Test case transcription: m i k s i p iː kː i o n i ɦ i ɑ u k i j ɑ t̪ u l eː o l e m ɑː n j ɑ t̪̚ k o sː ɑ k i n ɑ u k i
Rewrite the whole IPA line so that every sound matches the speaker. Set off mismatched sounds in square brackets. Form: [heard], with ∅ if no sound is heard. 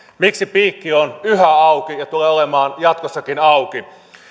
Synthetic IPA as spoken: m i k s i p iː kː i o n [y] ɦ [æ] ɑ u k i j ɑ t̪ u l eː o l e m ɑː n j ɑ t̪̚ k o sː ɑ k i n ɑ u k i